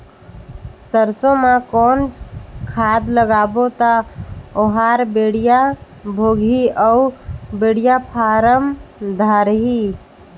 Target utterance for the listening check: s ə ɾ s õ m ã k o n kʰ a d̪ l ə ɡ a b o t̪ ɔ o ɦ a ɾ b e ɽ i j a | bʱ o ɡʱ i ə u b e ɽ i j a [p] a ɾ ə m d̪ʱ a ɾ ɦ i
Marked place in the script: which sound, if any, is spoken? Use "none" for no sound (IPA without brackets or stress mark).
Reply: pʰ